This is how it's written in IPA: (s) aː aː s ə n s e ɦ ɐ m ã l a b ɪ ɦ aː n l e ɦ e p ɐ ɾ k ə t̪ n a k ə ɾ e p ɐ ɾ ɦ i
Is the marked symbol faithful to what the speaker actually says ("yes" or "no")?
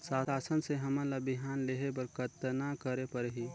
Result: yes